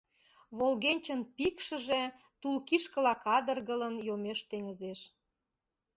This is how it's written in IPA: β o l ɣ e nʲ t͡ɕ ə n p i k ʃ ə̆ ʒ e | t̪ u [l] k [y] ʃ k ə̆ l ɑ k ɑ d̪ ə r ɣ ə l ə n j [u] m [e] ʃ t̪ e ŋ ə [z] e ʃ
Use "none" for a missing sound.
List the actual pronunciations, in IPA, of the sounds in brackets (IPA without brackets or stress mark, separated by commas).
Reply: l, i, o, e, z